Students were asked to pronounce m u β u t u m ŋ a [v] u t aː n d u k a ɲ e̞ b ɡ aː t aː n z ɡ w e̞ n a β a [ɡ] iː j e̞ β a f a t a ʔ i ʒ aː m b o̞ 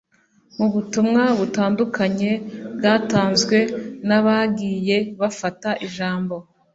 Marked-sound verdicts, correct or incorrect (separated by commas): incorrect, correct